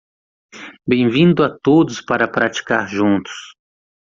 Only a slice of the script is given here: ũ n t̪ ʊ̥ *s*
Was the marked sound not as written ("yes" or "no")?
no